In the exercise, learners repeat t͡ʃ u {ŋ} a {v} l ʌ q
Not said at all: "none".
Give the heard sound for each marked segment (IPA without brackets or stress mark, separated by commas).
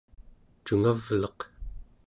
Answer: ŋ, v